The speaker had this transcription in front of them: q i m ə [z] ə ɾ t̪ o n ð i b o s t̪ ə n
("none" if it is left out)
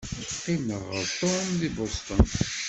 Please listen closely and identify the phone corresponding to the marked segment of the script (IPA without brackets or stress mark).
ʁ